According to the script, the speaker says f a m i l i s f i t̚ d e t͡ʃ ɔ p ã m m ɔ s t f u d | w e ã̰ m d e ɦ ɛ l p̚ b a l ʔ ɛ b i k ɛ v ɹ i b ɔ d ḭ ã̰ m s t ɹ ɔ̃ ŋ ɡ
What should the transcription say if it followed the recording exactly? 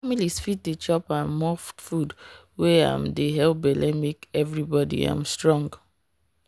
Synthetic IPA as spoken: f a m i l i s f i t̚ d e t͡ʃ ɔ p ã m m ɔ f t f u d | w e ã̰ m d e ɦ ɛ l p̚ b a l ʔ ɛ m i k ɛ v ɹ i b ɔ d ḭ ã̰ m s t ɹ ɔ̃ ŋ ɡ